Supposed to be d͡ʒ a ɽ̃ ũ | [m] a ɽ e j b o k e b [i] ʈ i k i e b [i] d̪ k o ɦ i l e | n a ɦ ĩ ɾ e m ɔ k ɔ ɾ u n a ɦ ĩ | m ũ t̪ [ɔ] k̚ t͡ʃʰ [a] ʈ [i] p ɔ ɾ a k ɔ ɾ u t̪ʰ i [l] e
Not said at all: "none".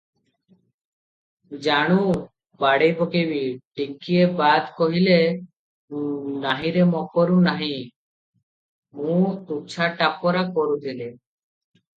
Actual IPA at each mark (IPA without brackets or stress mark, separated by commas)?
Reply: b, i, a, u, a, a, l